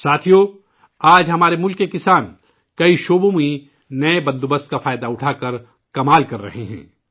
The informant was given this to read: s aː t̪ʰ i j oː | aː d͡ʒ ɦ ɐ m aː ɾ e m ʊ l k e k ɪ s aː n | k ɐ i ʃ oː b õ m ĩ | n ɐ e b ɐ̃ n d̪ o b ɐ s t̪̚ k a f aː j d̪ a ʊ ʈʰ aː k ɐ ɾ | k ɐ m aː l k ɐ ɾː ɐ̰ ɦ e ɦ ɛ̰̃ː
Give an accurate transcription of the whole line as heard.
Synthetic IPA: s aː t̪ʰ i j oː | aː d͡ʒ ɦ ɐ m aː ɾ e m ʊ l k e k ɪ s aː n | k ɐ i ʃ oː b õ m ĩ | n ɐ e b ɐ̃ n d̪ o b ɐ s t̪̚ k a f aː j d̪ a ʊ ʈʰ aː k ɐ ɾ | k ɐ m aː l k ɐ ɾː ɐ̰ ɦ e ɦ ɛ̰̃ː